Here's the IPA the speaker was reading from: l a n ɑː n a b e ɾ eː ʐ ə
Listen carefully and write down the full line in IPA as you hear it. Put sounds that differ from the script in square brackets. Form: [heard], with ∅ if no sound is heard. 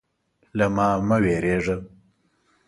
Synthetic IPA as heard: l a [m] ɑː [m] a [w] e ɾ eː ʐ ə